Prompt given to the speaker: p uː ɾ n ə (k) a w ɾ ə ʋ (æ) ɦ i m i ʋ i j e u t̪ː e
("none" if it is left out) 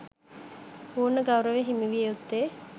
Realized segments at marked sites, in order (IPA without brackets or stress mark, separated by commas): ɡ, e